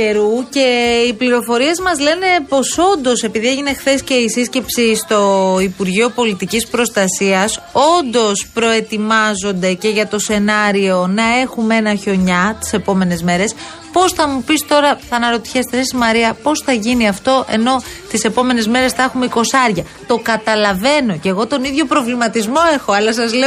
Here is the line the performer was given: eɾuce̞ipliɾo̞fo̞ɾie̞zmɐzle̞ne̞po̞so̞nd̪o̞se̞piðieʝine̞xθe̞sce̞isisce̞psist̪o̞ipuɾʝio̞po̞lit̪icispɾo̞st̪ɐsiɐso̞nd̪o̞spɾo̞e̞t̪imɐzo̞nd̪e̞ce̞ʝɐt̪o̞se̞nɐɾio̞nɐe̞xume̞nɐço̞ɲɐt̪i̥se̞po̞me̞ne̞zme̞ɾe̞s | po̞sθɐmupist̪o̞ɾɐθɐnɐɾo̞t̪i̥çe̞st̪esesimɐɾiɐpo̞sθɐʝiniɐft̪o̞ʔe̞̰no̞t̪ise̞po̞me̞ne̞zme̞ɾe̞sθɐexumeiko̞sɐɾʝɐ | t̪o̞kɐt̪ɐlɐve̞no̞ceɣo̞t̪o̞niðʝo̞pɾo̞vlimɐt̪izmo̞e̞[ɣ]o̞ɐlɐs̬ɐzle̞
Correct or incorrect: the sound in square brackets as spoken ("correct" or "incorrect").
incorrect